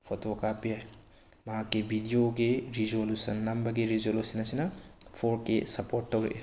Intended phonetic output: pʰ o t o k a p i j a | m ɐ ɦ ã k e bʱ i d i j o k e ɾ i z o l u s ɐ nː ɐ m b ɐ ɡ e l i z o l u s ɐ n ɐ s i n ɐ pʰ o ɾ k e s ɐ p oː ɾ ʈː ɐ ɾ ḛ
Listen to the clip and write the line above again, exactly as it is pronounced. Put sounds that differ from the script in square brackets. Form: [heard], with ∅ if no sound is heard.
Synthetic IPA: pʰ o t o k a p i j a | m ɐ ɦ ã k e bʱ i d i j o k e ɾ i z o l u s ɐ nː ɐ m b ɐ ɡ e [ɾ] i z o l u s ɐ n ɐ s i n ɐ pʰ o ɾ k e s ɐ p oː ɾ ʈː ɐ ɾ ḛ